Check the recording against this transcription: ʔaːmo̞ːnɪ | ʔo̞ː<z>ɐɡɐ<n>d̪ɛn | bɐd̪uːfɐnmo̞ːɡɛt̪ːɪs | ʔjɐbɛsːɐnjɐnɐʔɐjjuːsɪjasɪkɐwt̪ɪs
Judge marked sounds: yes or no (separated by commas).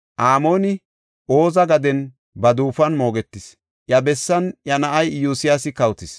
yes, no